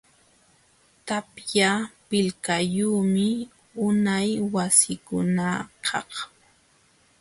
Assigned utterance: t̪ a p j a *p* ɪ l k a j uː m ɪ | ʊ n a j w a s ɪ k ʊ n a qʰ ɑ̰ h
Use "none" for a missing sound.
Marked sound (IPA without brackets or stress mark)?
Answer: p